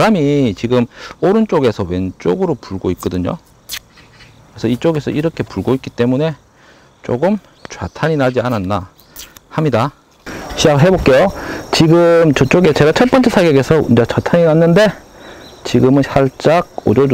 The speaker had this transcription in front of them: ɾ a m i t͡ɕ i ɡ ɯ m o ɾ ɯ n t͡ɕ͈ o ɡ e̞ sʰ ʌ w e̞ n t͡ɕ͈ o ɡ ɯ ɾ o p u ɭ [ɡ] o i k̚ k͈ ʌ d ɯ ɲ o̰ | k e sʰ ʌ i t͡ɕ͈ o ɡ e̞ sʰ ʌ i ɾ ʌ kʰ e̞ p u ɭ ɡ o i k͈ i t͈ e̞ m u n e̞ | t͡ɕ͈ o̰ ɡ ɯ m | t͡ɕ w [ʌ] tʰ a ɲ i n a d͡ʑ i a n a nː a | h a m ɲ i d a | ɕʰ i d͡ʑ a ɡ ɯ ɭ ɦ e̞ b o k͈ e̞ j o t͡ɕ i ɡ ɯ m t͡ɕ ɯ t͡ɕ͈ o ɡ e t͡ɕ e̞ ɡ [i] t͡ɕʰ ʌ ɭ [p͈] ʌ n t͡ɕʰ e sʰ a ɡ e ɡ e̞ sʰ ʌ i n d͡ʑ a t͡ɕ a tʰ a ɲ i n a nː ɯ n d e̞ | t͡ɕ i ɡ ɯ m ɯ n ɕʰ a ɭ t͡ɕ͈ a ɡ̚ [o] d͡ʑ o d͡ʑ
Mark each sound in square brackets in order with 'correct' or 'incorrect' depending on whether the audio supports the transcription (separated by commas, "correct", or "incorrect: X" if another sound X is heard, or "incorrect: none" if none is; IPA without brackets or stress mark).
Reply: correct, incorrect: a, incorrect: a, correct, correct